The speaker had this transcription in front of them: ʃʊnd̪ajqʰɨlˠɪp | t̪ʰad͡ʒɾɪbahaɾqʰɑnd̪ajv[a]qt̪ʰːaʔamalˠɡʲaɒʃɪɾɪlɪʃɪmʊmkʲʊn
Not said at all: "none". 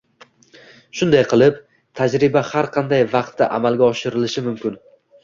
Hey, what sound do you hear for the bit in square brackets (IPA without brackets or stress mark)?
ɑ